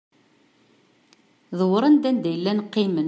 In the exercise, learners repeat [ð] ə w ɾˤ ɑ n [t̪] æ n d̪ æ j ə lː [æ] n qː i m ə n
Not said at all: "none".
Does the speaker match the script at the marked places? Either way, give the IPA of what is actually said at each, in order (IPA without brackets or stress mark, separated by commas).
ð, d̪, æ